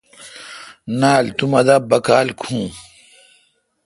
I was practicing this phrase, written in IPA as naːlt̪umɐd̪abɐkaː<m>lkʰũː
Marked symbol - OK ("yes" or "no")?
no